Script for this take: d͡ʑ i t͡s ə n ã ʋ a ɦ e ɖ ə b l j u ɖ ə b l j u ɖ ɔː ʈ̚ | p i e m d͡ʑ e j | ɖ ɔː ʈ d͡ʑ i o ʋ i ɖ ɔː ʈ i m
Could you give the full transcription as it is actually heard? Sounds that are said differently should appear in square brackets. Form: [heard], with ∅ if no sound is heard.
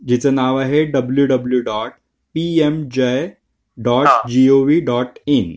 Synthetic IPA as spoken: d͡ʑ i t͡s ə n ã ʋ a ɦ e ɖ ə b l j u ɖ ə b l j u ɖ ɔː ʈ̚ | p i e m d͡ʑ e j | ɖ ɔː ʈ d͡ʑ i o ʋ i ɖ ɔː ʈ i [n]